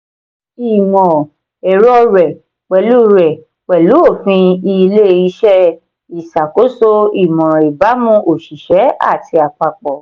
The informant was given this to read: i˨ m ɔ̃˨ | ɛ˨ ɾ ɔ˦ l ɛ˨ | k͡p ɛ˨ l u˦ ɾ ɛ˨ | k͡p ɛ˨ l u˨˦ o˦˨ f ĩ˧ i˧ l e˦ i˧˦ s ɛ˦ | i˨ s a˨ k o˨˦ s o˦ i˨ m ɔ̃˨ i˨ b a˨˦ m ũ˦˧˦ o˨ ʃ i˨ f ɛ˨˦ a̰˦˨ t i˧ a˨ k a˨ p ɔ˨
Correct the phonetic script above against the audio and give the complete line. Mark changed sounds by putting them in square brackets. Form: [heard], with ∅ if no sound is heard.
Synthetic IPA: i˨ m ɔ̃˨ | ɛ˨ ɾ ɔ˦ [ɾ] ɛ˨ | k͡p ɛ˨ l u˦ ɾ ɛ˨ | k͡p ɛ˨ l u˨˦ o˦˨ f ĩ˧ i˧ l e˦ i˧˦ [ʃ] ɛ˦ | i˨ s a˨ k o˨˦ s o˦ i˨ m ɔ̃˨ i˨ b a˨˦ m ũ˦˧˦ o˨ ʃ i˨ [ʃ] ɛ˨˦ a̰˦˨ t i˧ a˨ [k͡p] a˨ [k͡p] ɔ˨